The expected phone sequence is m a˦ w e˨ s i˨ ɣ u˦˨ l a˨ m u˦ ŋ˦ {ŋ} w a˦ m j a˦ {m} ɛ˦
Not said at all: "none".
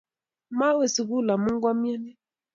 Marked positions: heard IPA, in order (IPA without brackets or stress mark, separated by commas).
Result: ɡ, n